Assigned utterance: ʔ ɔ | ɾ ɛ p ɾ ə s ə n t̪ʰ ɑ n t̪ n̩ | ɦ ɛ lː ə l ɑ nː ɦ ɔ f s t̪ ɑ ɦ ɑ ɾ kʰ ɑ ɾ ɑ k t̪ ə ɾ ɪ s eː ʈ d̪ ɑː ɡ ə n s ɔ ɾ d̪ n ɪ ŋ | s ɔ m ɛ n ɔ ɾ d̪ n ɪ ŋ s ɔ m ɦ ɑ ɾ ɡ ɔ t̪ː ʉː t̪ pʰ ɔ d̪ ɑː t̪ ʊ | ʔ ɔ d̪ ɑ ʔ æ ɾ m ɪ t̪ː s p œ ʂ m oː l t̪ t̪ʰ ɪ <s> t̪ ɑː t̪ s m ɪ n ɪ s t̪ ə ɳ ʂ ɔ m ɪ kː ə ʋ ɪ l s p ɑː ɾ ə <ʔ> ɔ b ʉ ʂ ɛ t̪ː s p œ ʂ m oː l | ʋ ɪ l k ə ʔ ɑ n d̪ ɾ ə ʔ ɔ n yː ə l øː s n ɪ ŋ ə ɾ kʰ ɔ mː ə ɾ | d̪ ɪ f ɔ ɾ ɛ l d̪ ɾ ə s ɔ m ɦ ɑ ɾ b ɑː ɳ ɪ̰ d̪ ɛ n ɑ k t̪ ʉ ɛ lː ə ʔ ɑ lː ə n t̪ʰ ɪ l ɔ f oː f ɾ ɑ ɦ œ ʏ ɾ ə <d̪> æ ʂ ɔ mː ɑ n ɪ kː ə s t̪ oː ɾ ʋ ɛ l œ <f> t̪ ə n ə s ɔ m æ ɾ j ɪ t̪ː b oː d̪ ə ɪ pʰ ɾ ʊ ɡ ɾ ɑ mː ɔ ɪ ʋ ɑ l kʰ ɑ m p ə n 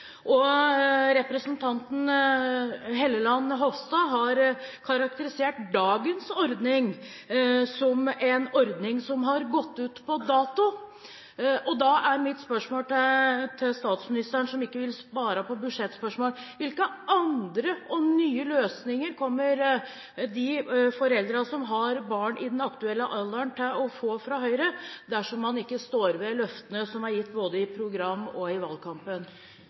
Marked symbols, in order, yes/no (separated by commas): yes, no, yes, yes